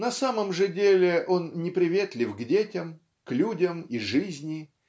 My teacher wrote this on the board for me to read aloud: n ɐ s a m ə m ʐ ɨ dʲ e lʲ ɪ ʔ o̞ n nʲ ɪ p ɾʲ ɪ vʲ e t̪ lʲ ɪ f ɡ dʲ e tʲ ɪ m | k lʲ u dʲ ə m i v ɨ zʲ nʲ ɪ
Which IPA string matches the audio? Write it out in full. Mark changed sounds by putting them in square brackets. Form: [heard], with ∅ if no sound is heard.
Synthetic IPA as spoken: n ɐ s a m ə m ʐ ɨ dʲ e lʲ ɪ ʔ o̞ n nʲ ɪ p ɾʲ ɪ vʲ e t̪ lʲ ɪ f ɡ dʲ e tʲ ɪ m | k lʲ u dʲ ə m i [ʐ] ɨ zʲ nʲ ɪ